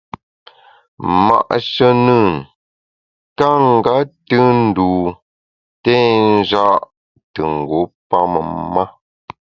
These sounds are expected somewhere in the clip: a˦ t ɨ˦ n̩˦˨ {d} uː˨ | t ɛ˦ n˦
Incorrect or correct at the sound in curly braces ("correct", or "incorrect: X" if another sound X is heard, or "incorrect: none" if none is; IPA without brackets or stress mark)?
correct